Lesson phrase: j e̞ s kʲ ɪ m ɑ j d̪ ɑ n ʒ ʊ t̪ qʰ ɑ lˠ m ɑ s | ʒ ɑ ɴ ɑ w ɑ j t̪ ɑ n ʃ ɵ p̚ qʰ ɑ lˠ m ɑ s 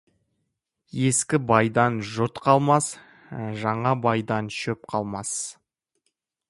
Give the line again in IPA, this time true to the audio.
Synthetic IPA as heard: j e̞ s kʲ ɪ b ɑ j d̪ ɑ n ʒ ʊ t̪ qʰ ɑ lˠ m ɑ s | ʒ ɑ ɴ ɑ b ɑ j d̪ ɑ n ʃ ɵ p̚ qʰ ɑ lˠ m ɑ s